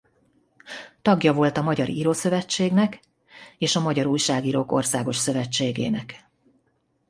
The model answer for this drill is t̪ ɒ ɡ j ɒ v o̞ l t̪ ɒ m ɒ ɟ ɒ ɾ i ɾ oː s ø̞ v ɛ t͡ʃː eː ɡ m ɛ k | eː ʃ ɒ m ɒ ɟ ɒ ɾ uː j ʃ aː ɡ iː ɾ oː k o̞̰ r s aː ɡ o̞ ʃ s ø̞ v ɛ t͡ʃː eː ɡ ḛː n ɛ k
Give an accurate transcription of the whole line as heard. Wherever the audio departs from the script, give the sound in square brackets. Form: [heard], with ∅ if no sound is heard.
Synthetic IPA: t̪ ɒ ɡ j ɒ v o̞ l t̪ ɒ m ɒ ɟ ɒ ɾ i ɾ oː s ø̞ v ɛ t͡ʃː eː ɡ [n] ɛ k | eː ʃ ɒ m ɒ ɟ ɒ ɾ uː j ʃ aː ɡ iː ɾ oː k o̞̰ r s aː ɡ o̞ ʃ s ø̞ v ɛ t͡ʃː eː ɡ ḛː n ɛ k